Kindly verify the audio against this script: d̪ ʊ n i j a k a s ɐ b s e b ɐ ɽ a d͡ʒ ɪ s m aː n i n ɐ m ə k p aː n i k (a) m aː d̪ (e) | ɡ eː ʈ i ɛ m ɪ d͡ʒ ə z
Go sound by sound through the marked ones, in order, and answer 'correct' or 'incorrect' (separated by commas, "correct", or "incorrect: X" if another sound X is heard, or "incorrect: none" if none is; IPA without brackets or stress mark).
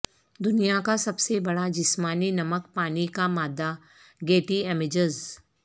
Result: correct, incorrect: a